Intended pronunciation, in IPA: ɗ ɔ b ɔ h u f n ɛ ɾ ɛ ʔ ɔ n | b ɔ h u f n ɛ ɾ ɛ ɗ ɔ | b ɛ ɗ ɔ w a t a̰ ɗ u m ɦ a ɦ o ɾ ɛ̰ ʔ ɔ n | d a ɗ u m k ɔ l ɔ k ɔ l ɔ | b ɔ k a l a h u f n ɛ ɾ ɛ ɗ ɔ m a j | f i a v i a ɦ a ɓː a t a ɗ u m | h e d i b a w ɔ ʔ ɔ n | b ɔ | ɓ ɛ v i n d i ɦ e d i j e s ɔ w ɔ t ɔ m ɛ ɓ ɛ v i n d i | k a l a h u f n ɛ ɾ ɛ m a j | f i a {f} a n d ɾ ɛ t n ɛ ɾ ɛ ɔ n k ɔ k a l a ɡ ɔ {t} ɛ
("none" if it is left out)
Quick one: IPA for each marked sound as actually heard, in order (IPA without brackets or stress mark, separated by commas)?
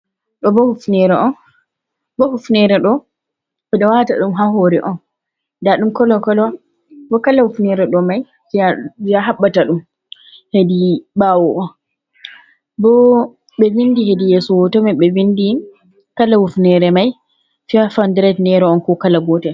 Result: f, t